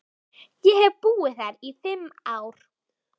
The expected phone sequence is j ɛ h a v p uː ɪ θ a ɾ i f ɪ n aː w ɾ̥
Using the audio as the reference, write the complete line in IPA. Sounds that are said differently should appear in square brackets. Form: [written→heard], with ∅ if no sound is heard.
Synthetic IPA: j ɛ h [a→ɛ] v p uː ɪ θ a ɾ i [f→θ] ɪ [n→m] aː w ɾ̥